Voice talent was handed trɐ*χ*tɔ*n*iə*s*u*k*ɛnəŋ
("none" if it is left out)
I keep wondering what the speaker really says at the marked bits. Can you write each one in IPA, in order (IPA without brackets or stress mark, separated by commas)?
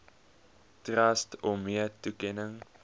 s, m, t, k